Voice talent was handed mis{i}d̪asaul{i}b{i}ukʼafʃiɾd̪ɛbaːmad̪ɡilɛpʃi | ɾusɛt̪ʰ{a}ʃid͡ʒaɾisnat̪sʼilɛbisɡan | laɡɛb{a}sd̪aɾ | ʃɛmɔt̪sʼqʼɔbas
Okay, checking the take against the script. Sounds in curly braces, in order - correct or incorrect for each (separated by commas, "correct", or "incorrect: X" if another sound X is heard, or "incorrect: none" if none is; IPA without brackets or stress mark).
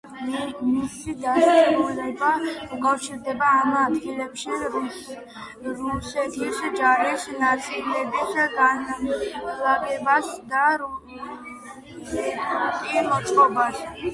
correct, incorrect: ɛ, incorrect: a, incorrect: i, correct